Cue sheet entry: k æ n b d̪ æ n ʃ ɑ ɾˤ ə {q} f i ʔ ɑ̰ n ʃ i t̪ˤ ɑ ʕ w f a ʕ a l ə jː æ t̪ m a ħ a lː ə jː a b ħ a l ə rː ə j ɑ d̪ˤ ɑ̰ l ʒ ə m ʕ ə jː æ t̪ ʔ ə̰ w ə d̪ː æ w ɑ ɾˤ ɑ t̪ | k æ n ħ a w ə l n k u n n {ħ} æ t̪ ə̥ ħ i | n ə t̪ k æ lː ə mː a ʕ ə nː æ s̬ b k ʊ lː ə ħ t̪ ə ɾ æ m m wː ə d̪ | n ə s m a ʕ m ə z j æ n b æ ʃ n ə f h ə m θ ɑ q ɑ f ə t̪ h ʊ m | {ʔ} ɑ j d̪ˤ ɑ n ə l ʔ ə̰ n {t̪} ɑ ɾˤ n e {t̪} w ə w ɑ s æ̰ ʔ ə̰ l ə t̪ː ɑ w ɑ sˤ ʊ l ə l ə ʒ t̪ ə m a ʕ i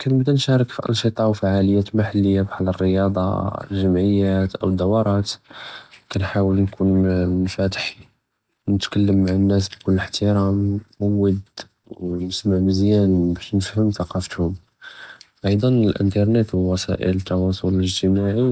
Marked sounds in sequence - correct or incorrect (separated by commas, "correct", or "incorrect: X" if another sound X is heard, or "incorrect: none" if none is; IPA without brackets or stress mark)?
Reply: incorrect: k, incorrect: f, correct, correct, correct